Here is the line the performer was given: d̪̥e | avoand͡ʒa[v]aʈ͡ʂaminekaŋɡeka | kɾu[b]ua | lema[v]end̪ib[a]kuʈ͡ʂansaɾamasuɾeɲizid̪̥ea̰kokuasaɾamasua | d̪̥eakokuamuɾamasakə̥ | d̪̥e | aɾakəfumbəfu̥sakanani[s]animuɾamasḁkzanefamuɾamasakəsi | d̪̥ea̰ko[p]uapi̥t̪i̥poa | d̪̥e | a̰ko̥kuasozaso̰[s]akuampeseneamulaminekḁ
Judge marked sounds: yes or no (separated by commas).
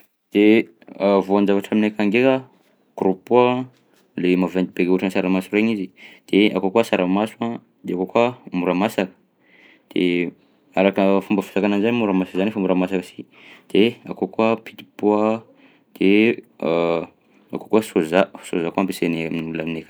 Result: yes, no, yes, no, no, no, no